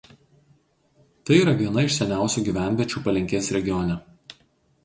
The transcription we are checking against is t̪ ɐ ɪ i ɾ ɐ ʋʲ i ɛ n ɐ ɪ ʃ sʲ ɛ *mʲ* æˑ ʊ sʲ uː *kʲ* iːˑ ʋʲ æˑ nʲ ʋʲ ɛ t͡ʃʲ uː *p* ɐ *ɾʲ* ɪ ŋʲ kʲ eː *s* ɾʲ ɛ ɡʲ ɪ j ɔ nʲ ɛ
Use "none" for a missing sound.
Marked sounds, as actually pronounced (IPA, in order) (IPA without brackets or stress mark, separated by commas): nʲ, ɡʲ, p, lʲ, s